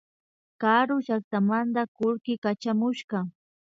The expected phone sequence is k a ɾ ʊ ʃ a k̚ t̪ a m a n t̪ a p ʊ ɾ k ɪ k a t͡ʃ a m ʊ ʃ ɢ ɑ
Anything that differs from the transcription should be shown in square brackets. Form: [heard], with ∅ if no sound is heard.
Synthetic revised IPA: k a ɾ ʊ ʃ a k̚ t̪ a m a n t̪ a [k] ʊ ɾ k ɪ k a t͡ʃ a m ʊ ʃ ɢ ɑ